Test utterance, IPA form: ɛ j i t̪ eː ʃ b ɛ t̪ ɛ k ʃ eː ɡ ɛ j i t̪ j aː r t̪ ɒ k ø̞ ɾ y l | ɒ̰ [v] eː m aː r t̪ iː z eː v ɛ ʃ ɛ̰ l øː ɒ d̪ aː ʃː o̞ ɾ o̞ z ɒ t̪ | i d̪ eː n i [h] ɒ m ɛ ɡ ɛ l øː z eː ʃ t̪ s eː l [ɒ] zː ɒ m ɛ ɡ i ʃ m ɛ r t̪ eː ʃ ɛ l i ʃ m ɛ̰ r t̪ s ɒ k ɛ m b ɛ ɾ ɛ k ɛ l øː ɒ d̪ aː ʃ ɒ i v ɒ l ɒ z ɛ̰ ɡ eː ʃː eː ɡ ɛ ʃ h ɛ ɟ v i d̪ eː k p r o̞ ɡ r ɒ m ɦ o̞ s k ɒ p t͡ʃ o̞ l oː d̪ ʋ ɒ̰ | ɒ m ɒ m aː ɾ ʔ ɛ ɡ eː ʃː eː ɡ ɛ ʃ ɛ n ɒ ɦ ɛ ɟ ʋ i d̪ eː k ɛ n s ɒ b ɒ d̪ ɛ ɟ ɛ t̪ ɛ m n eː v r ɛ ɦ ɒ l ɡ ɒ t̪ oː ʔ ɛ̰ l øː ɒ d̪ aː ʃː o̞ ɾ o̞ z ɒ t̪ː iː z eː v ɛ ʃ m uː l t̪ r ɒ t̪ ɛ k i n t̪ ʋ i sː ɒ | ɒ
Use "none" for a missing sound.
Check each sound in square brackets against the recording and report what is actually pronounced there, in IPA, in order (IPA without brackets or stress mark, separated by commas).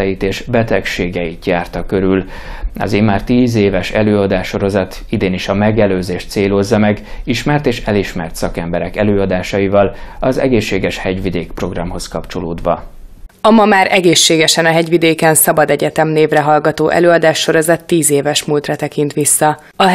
z, ʃ, o